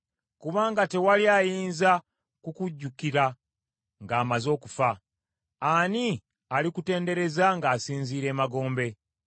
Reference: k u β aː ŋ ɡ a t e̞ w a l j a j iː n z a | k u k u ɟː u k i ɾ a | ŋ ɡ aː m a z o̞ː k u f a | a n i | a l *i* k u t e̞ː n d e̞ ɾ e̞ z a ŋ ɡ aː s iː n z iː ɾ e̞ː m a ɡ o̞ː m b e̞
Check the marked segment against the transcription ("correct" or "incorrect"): correct